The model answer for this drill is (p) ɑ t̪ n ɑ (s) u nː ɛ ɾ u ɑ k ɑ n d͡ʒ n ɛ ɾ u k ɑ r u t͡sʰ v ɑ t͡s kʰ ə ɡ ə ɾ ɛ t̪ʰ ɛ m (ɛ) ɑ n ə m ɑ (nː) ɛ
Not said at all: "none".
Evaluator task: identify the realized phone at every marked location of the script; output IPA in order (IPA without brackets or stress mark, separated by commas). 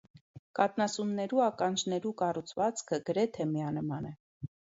k, s, i, n